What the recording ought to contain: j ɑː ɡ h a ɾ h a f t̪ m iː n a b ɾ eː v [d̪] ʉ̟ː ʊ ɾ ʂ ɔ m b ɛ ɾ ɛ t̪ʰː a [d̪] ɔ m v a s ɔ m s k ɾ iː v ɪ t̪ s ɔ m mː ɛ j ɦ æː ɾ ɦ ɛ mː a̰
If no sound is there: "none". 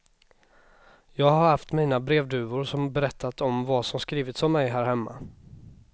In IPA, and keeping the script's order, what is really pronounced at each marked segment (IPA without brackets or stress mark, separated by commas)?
d̪, t̪